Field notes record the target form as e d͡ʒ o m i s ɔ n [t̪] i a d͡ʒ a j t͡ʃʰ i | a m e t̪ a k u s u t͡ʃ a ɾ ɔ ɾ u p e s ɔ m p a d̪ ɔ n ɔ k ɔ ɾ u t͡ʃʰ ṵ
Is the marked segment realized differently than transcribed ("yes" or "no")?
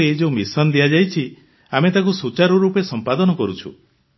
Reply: yes